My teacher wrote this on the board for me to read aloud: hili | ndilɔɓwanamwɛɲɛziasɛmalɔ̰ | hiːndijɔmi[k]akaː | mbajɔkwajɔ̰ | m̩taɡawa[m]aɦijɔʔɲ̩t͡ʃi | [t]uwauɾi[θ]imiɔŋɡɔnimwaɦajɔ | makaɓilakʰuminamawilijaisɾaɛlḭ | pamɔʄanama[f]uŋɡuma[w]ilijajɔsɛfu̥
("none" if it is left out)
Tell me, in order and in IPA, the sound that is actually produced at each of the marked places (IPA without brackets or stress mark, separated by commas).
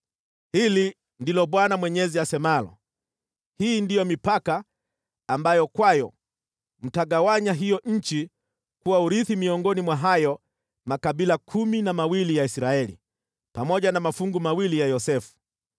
p, ɲ, k, θ, f, w